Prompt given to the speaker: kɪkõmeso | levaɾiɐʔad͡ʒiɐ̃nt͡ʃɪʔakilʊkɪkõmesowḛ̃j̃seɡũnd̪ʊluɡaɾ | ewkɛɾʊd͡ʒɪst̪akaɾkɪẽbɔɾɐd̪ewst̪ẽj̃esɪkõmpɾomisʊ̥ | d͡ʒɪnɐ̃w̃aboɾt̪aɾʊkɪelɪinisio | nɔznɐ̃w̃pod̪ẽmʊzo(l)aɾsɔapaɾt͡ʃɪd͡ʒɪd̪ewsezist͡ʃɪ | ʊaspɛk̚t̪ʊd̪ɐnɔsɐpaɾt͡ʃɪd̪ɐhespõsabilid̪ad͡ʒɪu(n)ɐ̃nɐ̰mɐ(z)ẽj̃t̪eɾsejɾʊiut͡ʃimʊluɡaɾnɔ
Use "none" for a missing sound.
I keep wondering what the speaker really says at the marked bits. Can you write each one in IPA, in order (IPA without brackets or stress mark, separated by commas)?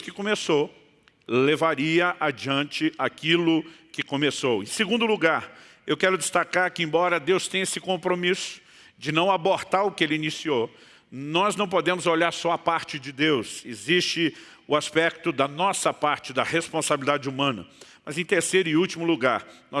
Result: ʎ, m, z